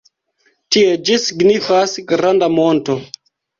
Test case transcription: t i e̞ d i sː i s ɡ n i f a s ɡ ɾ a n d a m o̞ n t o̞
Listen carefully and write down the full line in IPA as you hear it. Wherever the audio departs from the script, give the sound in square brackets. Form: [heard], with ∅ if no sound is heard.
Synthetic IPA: t i e̞ [d͡ʒ] i [s] i [∅] ɡ n i f a s ɡ ɾ a n d a m o̞ n t o̞

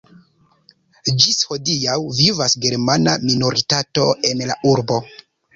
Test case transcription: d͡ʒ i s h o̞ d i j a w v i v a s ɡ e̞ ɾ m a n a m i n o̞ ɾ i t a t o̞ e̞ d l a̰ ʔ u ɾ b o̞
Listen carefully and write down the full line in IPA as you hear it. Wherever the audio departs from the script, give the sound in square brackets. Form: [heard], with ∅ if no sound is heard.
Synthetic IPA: d͡ʒ i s h o̞ d i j a w v i v a s ɡ e̞ ɾ m a n a m i n o̞ ɾ i t a t o̞ e̞ [n] l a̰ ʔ u ɾ b o̞

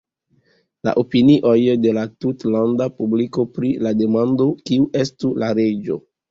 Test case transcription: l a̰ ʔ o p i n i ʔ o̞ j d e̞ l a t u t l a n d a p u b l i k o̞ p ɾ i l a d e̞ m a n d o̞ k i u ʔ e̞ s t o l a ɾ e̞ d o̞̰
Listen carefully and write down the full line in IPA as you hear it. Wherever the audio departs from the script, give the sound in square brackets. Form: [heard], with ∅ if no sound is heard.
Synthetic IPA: l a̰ ʔ o p i n i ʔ o̞ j d e̞ l a t u t l a n d a p u b l i k o̞ p ɾ i l a d e̞ m a n d o̞ k i u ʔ e̞ s t [u] l a ɾ e̞ [d͡ʒ] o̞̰

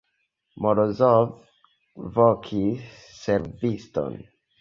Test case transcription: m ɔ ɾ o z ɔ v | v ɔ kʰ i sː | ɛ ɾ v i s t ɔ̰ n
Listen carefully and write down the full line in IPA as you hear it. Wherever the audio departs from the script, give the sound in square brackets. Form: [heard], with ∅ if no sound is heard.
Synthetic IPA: m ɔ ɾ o z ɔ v | v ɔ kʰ i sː | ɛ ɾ v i s t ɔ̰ n

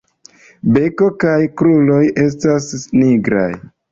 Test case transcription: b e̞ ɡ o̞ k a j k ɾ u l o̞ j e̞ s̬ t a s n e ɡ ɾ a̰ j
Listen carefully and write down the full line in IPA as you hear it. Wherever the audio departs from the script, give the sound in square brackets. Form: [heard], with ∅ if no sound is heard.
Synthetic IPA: b e̞ [k] o̞ k a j k ɾ u l o̞ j e̞ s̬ t a s n [i] ɡ ɾ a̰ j

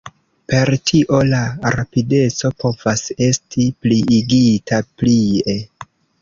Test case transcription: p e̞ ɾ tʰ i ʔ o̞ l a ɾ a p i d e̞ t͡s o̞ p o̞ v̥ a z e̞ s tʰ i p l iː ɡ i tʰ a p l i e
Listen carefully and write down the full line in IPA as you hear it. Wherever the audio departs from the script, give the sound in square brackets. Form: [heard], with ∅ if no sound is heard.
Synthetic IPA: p e̞ ɾ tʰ i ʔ o̞ l a ɾ a p i d e̞ t͡s o̞ p o̞ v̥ a [s] e̞ s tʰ i p l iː ɡ i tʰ a p l i e

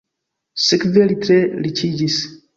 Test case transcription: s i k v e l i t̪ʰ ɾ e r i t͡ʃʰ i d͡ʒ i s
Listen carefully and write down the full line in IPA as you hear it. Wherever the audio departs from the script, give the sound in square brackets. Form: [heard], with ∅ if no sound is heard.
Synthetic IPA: s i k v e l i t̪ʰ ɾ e [l] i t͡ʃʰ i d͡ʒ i s

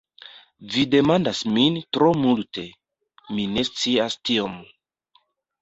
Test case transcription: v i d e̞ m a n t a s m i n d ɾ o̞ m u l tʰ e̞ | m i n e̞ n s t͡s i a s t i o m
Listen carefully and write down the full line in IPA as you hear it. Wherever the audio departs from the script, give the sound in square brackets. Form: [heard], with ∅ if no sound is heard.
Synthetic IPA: v i d e̞ m a n [d] a s m i n [t] ɾ o̞ m u l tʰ e̞ | m i n e̞ [∅] s t͡s i a s t i o m

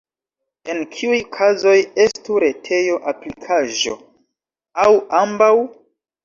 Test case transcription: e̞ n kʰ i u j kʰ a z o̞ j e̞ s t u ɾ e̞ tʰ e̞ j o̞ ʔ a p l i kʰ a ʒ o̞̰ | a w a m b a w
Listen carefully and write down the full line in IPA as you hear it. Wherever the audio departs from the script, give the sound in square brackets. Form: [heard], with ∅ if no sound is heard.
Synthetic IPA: e̞ n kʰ i u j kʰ a z o̞ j e̞ s t u ɾ e̞ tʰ e̞ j o̞ ʔ a p l i kʰ a ʒ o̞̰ | a w a m b a w

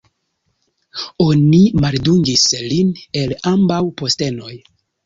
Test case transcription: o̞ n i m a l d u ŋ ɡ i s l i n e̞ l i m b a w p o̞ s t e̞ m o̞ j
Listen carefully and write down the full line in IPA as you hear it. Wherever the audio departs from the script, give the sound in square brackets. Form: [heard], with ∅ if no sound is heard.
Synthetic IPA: o̞ n i m a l d u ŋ ɡ i s l i n e̞ l [a] m b a w p o̞ s t e̞ [n] o̞ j

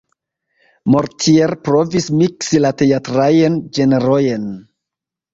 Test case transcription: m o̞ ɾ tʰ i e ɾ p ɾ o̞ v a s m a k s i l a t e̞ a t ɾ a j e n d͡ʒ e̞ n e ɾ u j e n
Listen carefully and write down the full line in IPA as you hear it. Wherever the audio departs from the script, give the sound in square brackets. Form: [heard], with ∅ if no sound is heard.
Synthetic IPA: m o̞ ɾ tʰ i e ɾ p ɾ o̞ v [i] s m [i] k s i l a t e̞ a t ɾ a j e n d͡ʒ e̞ n e ɾ [o] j e n

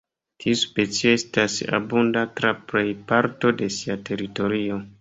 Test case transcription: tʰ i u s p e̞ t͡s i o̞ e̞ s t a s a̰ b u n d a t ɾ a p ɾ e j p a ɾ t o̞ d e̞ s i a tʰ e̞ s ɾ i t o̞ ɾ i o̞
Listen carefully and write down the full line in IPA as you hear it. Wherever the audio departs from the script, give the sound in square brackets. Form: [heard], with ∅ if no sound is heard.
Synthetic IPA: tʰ i u s p e̞ t͡s i o̞ e̞ s t a s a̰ b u n d a t ɾ a p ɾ e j p a ɾ t o̞ d e̞ s i a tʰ e̞ [∅] ɾ i t o̞ ɾ i o̞

